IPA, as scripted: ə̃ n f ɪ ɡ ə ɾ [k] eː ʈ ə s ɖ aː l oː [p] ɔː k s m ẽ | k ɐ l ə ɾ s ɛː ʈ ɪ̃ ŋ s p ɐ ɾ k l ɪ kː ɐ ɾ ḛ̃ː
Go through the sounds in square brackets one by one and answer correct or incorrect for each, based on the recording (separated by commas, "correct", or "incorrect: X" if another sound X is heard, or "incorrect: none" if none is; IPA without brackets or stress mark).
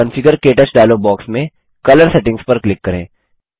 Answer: correct, incorrect: b